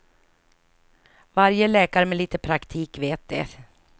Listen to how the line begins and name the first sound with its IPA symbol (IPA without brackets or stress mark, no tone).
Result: v